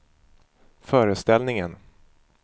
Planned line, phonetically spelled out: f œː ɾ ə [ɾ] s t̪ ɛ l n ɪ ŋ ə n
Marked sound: incorrect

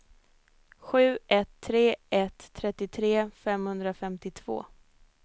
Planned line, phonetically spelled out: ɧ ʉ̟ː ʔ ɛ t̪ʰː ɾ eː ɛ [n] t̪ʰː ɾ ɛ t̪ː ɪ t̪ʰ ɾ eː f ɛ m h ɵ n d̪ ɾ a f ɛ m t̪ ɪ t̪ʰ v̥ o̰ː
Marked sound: incorrect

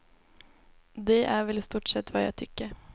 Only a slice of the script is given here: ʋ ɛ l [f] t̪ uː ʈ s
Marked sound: incorrect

